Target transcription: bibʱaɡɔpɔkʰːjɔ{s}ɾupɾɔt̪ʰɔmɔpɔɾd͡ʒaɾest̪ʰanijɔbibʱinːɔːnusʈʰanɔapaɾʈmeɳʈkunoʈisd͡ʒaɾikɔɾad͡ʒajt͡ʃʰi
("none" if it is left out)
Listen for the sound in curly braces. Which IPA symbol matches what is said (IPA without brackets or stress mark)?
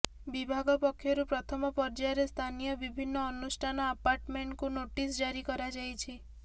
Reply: none